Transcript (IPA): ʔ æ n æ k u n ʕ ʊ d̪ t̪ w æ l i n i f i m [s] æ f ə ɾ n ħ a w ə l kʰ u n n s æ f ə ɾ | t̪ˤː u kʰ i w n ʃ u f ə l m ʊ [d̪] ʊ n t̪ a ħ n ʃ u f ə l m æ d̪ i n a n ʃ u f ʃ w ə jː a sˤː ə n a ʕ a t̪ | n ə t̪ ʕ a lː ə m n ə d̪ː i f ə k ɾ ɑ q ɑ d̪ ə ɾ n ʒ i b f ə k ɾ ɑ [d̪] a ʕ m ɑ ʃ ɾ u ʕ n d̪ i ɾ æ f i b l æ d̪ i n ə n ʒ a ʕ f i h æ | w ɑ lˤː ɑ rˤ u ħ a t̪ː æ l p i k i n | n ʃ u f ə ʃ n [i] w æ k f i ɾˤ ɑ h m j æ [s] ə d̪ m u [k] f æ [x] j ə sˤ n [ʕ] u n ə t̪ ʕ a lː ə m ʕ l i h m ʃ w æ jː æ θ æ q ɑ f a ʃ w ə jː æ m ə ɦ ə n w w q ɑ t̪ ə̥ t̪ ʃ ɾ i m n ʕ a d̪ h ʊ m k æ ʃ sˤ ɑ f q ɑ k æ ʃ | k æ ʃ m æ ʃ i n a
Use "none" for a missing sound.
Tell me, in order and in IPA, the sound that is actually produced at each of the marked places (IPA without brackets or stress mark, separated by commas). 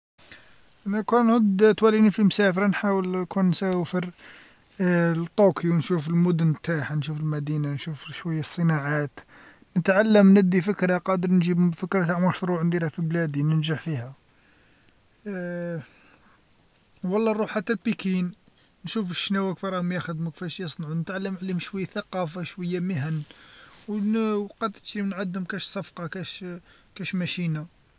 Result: s, d̪, t̪, æ, x, k, ʃ, ʕ